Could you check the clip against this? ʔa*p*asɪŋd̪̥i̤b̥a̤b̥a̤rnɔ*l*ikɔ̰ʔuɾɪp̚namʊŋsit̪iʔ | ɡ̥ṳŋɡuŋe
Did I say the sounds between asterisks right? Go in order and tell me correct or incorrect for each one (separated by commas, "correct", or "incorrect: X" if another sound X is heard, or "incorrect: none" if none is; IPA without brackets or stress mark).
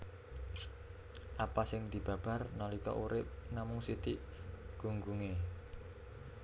correct, correct